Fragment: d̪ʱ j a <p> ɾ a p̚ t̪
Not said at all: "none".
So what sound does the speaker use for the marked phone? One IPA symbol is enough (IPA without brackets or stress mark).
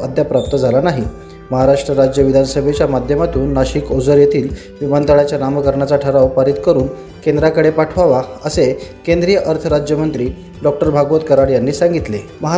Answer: p